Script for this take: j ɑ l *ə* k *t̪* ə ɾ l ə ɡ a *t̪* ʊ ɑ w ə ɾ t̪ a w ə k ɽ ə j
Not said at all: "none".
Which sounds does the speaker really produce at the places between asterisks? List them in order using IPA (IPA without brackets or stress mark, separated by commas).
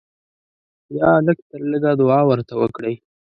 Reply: ə, t̪, d̪